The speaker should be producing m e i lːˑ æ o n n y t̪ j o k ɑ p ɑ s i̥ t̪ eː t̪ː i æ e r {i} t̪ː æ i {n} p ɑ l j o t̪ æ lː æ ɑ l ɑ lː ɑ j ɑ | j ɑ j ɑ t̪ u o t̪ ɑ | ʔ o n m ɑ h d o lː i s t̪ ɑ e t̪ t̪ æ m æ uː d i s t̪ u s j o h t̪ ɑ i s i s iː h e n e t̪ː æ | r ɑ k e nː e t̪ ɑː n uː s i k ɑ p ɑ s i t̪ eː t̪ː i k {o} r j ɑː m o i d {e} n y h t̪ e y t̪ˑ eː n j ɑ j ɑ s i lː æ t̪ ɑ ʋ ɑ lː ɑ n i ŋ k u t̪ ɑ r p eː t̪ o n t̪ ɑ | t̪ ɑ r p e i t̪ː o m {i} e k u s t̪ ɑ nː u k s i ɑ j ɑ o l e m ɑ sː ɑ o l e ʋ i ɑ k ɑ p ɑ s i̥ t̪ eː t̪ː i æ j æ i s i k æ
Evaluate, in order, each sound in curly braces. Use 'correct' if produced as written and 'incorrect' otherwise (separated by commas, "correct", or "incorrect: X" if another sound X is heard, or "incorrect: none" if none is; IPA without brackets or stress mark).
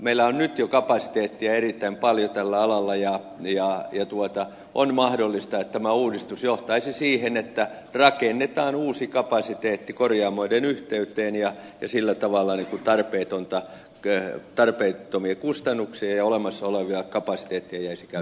correct, incorrect: m, correct, correct, correct